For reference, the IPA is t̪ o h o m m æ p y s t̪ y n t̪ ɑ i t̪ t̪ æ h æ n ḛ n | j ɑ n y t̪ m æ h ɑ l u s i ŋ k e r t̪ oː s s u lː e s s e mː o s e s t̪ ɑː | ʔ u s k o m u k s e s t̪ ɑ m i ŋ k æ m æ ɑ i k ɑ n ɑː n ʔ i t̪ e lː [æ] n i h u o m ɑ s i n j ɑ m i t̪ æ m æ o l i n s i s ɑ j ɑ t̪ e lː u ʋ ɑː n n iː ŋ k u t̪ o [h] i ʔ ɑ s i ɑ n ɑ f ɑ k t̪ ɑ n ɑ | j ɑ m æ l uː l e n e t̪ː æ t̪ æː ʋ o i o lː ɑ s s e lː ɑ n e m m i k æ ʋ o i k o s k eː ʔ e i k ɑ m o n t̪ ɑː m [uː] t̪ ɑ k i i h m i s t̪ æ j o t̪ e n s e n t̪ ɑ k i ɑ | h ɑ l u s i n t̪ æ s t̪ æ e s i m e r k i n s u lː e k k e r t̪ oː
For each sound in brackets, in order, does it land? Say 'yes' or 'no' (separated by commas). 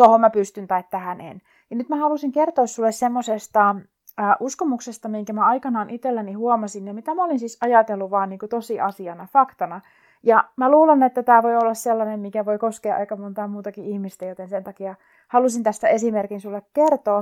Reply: yes, no, yes